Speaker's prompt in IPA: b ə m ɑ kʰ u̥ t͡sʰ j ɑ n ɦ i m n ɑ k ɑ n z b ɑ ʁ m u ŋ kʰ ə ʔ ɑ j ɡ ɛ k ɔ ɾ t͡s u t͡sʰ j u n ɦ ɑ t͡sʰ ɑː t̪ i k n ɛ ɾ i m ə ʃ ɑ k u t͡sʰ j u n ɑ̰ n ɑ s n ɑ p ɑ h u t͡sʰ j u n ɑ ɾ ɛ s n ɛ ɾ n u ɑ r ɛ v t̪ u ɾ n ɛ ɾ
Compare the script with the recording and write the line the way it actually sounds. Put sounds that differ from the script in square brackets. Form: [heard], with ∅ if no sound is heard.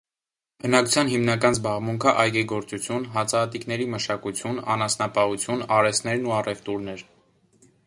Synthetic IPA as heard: b ə [n] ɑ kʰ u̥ t͡sʰ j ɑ n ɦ i m n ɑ k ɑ n z b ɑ ʁ m u ŋ kʰ ə ʔ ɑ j ɡ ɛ [ɡ] ɔ ɾ t͡s u t͡sʰ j u n ɦ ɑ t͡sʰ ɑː t̪ i k n ɛ ɾ i m ə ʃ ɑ k u t͡sʰ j u n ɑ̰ n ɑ s n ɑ p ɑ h u t͡sʰ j u n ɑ ɾ ɛ s n ɛ ɾ n u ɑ r ɛ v t̪ u ɾ n ɛ ɾ